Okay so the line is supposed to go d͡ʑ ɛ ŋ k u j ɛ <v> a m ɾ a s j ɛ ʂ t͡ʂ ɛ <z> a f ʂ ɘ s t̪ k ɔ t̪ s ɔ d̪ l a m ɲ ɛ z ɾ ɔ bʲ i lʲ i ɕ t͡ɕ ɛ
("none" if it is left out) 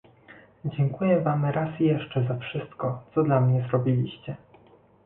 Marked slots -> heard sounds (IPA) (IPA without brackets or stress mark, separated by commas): v, z